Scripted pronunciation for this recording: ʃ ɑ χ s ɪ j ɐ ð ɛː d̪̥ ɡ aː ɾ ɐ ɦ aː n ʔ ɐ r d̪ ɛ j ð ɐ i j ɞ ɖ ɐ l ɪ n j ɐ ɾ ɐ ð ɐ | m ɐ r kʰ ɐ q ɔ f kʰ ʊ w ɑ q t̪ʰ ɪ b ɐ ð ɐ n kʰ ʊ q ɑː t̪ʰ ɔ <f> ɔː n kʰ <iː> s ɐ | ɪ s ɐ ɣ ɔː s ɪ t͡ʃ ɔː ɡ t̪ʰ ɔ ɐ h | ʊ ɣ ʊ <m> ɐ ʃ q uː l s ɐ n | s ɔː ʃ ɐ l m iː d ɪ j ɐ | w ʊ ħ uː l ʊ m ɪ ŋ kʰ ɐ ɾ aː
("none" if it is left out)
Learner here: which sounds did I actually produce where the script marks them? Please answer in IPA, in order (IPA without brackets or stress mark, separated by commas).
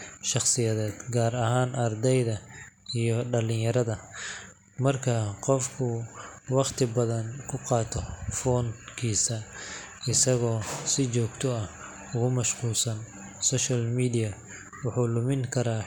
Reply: f, iː, m